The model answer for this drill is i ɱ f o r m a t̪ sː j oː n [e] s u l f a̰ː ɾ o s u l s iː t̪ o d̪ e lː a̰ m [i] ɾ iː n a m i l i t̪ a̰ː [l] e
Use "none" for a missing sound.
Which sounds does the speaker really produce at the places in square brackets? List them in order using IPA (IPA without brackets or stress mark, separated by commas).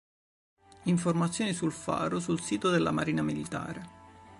i, a, ɾ